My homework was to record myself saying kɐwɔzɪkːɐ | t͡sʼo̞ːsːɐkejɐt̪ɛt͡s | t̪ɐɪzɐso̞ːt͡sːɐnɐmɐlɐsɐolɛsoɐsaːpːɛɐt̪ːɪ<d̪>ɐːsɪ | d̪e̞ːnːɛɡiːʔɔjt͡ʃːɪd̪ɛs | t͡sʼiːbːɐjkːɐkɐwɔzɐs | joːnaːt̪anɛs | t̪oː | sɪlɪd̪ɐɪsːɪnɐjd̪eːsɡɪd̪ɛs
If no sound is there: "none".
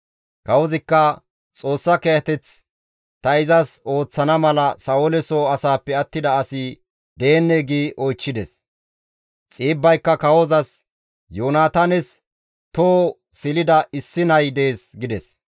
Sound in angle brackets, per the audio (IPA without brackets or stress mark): d̪